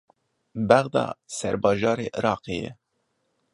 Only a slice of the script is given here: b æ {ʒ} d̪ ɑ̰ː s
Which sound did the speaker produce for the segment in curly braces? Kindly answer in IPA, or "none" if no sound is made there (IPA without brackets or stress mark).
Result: ɣ